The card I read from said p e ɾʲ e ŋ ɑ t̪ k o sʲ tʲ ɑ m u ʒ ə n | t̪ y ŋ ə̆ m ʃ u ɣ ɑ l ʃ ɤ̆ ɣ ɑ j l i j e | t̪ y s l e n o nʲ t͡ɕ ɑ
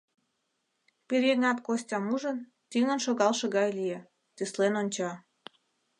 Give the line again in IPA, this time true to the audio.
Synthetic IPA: p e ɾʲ e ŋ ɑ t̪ k o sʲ tʲ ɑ m u ʒ ə n | t̪ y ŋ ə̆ n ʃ o ɣ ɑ l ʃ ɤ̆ ɣ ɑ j l i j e | t̪ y s l e n o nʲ t͡ɕ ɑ